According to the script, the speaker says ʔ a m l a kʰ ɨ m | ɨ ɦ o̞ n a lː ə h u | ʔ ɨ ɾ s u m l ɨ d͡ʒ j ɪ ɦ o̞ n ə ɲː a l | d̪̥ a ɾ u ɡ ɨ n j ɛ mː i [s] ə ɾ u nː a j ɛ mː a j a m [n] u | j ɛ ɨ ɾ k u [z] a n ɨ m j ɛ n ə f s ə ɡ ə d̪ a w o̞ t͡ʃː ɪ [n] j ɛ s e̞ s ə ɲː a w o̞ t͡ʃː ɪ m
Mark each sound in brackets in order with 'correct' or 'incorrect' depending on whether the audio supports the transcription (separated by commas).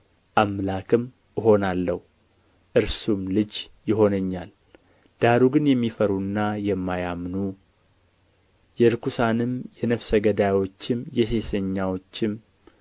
incorrect, correct, incorrect, incorrect